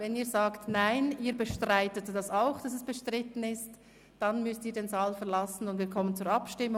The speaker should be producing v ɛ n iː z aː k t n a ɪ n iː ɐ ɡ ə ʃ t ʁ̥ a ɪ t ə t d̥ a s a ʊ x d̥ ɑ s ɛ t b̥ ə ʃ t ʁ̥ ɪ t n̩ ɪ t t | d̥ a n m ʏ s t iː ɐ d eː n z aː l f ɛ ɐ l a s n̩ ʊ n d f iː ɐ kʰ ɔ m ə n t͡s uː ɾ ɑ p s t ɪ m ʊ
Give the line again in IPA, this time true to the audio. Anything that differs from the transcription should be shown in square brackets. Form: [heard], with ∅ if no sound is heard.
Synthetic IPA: v ɛ n iː z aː k t n a ɪ n iː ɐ [b] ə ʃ t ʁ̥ a ɪ t ə t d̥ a s a ʊ x d̥ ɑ s ɛ [s] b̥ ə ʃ t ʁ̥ ɪ t n̩ ɪ [s] t | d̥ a n m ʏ s t iː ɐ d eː n z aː l f ɛ ɐ l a s n̩ ʊ n d [v] iː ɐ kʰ ɔ m ə n t͡s uː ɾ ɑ p [ʃ] t ɪ m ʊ